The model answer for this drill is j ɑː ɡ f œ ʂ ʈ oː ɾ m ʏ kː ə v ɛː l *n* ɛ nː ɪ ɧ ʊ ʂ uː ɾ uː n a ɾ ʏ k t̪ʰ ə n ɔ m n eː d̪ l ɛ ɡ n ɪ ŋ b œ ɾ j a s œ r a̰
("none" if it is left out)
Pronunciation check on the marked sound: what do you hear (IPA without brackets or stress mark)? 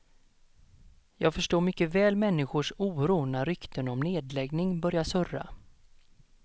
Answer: m